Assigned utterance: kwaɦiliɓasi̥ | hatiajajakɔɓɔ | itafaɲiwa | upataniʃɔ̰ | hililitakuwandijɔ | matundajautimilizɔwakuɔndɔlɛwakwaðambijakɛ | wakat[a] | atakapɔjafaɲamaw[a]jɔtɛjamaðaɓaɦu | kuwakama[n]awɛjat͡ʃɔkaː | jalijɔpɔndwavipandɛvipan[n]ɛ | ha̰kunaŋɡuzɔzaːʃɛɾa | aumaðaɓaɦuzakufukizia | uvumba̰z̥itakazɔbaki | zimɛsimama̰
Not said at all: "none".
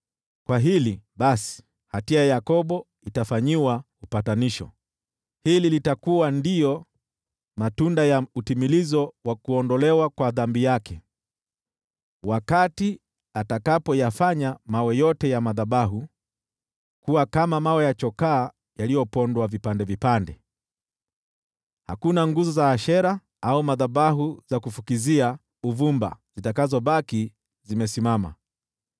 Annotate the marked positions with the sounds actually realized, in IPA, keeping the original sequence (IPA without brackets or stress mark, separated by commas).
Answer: i, ɛ, m, d